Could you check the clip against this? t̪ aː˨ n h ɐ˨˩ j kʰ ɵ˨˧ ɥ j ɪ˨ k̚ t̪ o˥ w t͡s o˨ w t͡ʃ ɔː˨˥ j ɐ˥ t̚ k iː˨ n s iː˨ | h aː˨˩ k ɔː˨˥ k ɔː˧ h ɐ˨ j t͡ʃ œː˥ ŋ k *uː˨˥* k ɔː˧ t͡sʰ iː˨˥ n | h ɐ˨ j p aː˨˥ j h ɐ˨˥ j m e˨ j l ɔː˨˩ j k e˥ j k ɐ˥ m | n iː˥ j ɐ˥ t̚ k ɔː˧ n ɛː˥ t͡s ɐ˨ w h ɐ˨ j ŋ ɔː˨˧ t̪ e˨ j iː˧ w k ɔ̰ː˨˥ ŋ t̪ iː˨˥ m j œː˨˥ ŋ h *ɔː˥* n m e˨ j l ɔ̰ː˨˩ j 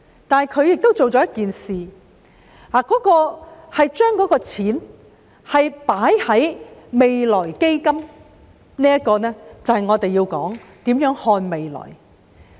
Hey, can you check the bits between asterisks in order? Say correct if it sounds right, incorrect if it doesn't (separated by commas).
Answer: incorrect, incorrect